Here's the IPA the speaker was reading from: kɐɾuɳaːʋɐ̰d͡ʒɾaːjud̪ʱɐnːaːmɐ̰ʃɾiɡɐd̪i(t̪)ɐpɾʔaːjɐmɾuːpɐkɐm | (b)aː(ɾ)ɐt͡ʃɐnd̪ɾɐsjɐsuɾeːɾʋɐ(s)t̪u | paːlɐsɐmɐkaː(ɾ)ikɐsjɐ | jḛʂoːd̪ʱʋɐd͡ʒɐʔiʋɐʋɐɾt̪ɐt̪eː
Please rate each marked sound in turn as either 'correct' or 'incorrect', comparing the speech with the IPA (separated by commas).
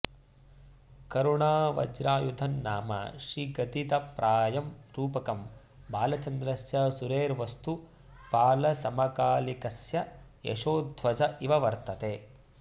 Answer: correct, correct, incorrect, correct, incorrect